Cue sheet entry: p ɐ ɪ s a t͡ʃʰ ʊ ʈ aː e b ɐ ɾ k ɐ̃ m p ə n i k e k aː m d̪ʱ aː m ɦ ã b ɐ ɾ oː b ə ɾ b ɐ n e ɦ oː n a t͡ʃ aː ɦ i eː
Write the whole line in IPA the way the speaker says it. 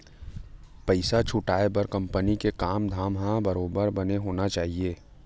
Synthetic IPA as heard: p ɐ ɪ s a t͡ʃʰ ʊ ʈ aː e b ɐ ɾ k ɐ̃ m p ə n i k e k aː m d̪ʱ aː m ɦ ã b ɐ ɾ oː b ə ɾ b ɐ n e ɦ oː n a t͡ʃ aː ɦ i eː

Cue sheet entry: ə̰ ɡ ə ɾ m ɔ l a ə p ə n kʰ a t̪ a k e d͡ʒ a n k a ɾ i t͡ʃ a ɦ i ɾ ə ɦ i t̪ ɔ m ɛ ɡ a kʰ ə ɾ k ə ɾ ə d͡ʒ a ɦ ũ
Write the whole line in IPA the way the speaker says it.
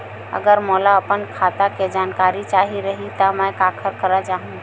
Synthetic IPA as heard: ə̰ ɡ ə ɾ m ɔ l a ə p ə n kʰ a t̪ a k e d͡ʒ a n k a ɾ i t͡ʃ a ɦ i ɾ ə ɦ i t̪ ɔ m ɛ k a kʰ ə ɾ k ə ɾ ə d͡ʒ a ɦ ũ

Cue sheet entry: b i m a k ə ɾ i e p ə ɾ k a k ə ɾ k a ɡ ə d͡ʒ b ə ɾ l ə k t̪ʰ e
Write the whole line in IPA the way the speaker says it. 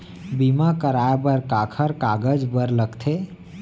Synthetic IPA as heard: b i m a k ə ɾ a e b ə ɾ k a kʰ ə ɾ k a ɡ ə d͡ʒ b ə ɾ l ə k t̪ʰ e

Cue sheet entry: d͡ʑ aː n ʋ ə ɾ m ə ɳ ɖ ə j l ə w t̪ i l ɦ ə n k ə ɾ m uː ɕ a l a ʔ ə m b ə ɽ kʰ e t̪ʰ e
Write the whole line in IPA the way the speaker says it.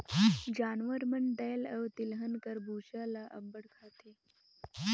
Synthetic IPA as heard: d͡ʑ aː n ʋ ə ɾ m ə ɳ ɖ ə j l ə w t̪ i l ɦ ə n k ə ɾ b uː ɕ a l a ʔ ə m b ə ɽ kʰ a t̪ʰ e

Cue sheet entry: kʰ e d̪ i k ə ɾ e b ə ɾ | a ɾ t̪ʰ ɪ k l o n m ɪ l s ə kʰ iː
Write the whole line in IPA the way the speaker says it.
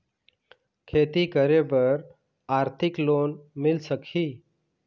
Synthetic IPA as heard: kʰ e t̪ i k ə ɾ e b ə ɾ | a ɾ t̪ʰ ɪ k l o n m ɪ l s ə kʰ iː

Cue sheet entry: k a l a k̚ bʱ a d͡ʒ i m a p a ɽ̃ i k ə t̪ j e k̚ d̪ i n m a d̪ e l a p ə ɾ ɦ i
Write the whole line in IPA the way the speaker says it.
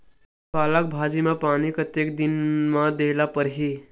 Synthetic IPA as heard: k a l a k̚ bʱ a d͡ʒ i m a p a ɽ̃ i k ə t̪ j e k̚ d̪ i n m a d̪ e l a p ə ɾ ɦ i

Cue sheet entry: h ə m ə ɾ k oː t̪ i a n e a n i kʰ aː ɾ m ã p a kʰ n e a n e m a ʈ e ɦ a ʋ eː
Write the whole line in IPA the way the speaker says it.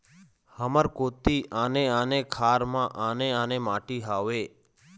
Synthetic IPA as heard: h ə m ə ɾ k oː t̪ i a n e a n e kʰ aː ɾ m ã ʔ a n e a n e m a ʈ i ɦ a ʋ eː

